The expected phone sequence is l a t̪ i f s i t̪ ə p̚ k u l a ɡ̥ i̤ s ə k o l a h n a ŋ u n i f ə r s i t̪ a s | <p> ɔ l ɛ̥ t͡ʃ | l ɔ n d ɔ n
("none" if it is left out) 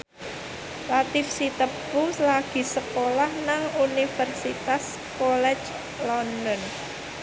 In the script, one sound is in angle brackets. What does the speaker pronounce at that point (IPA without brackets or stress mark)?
k